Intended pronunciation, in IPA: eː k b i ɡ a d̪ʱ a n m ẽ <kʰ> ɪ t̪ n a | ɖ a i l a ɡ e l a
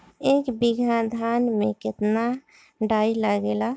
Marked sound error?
yes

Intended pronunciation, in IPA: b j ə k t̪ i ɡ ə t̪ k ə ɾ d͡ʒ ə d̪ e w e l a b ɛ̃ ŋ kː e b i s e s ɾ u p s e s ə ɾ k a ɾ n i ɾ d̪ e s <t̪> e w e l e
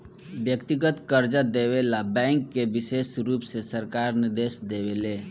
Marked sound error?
yes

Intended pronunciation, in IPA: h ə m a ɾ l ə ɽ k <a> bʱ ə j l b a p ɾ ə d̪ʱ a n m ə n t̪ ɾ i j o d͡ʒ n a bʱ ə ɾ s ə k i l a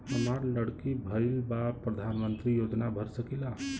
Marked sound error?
yes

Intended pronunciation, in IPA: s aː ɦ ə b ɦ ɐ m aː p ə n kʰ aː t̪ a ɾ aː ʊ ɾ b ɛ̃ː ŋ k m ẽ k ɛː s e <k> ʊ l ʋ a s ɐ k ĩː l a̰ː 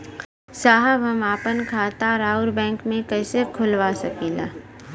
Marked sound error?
yes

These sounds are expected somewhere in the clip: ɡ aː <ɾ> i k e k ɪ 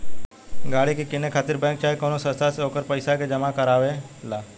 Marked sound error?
yes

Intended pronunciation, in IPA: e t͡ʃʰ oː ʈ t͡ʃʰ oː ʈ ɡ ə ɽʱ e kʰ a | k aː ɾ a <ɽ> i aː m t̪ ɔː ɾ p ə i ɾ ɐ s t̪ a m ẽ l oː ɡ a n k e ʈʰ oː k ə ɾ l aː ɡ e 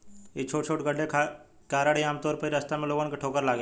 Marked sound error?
no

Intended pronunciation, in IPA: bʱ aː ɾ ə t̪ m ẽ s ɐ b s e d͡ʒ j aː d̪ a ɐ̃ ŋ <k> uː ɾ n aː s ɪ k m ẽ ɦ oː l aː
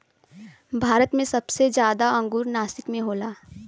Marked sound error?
yes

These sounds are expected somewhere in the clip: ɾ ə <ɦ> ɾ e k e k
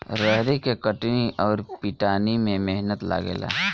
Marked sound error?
no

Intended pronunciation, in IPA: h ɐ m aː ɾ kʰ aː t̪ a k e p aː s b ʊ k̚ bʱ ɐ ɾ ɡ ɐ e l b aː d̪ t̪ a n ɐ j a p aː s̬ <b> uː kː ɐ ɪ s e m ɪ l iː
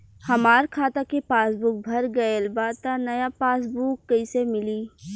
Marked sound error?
no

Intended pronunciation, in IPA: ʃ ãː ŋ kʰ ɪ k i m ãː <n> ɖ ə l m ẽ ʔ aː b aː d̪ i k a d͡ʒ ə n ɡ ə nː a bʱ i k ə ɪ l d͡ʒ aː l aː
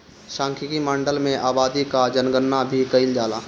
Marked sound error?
yes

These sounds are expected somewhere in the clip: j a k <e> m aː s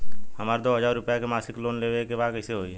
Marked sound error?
no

